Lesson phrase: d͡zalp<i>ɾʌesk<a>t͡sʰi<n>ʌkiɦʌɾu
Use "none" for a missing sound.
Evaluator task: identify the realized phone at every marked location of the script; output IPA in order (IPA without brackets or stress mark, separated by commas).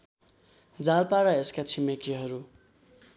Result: a, a, m